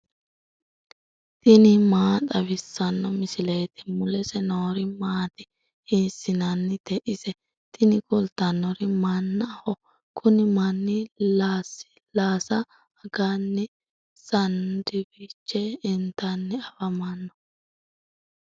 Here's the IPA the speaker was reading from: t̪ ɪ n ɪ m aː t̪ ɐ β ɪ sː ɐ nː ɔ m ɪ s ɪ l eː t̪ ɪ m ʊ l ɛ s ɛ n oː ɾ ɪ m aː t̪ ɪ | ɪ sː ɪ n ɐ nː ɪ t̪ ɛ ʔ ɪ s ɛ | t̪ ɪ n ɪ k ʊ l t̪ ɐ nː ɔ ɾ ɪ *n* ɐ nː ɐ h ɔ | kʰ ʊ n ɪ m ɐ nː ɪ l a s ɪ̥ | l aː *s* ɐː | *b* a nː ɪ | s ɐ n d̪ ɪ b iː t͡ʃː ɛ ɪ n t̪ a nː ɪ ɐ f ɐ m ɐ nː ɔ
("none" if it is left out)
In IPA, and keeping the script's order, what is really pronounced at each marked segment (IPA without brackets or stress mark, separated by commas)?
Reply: m, s, ɡ